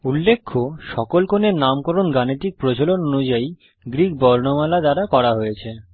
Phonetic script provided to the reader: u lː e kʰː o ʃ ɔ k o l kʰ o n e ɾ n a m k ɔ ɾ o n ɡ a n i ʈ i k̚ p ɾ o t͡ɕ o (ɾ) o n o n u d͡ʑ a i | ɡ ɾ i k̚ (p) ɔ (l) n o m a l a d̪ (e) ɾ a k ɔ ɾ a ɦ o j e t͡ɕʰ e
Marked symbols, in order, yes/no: no, no, no, no

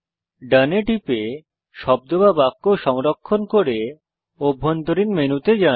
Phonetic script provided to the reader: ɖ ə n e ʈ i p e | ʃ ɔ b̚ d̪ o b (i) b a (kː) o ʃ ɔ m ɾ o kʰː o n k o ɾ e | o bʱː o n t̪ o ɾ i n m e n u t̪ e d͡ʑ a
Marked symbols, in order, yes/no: no, yes

